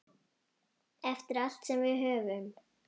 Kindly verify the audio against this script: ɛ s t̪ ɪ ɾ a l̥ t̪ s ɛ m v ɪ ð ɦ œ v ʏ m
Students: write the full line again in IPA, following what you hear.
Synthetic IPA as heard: ɛ f t̪ ɪ ɾ a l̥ t̪ s ɛ m v ɪ ð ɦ œː v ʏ m

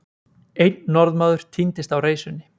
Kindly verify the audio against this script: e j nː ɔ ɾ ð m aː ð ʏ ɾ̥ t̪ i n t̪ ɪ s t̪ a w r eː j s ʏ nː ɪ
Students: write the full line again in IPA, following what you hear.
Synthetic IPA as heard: e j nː ɔ ɾ ð m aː ð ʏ ɾ̥ t̪ʰ i n t̪ ɪ s t̪ a w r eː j s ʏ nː ɪ

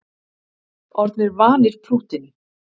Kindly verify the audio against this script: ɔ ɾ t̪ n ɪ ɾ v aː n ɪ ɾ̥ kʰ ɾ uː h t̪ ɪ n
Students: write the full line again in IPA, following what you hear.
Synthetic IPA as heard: ɔ ɾ t̪ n ɪ ɾ v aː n ɪ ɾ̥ pʰ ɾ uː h t̪ ɪ n

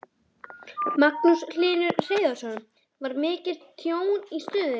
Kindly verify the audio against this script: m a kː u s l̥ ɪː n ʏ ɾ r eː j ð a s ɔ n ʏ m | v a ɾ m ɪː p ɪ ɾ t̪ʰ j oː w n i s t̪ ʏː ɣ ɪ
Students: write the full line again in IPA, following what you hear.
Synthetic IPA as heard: m a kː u s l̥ ɪː n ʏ ɾ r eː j ð a s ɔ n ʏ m | v a ɾ m ɪː c ɪ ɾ t̪ʰ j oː w n i s t̪ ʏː ð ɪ

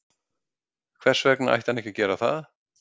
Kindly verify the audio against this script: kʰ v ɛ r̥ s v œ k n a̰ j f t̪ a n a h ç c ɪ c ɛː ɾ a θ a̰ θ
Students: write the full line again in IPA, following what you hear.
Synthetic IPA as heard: kʰ v ɛ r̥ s v ɛ k n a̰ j h t̪ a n ɛ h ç c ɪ c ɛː ɾ a θ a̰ ð

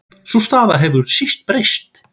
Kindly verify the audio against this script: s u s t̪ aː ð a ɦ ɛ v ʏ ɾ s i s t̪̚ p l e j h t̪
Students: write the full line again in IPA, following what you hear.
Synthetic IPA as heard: s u s t̪ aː ð a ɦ ɛ v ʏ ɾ s i s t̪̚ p ɾ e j s t̪

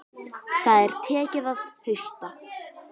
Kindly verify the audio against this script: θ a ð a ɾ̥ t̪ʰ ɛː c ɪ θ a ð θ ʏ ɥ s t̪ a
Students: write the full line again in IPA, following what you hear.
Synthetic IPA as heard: θ a ð ɛ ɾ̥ t̪ʰ ɛː c ɪ ð a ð h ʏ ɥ s t̪ a

